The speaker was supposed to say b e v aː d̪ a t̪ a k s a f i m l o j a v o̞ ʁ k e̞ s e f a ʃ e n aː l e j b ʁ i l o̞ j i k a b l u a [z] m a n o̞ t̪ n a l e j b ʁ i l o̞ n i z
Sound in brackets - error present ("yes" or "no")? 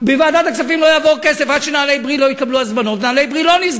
no